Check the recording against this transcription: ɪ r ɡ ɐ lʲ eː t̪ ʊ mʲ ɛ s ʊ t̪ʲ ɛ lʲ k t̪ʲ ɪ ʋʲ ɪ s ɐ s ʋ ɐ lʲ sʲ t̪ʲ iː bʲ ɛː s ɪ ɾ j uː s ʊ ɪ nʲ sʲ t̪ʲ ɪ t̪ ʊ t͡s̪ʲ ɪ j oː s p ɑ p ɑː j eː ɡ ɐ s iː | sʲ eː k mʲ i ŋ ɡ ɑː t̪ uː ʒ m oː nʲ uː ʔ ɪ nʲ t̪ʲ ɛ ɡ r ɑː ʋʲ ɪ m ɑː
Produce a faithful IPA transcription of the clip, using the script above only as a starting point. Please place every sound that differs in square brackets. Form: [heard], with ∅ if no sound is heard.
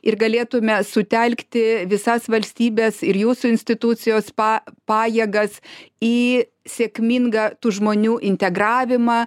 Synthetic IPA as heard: ɪ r ɡ ɐ lʲ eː t̪ ʊ mʲ ɛ s ʊ t̪ʲ ɛ lʲ k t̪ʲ ɪ ʋʲ ɪ s ɐ s ʋ ɐ lʲ sʲ t̪ʲ iː bʲ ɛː s ɪ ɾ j uː s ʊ ɪ nʲ sʲ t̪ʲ ɪ t̪ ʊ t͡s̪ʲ ɪ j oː s p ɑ p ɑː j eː ɡ ɐ s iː | sʲ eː k mʲ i ŋ ɡ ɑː t̪ uː ʒ m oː nʲ uː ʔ ɪ nʲ t̪ʲ ɛ ɡ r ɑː ʋʲ ɪ m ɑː